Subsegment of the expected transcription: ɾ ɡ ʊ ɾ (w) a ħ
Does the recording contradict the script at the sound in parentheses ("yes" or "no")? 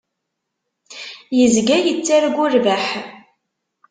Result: yes